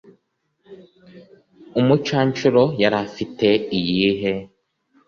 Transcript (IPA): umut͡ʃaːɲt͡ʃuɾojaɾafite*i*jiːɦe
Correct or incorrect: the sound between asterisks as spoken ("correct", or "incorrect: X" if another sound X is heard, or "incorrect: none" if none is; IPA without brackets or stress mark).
correct